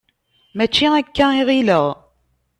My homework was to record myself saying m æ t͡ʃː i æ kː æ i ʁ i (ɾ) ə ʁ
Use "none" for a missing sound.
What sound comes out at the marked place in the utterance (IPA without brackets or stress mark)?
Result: l